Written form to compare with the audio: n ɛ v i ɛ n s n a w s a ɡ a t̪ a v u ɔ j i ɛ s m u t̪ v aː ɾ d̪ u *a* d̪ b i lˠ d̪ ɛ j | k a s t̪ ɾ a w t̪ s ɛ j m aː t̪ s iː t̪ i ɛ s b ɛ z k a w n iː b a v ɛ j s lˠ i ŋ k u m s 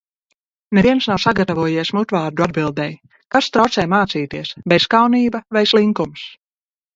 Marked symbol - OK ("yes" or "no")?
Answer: yes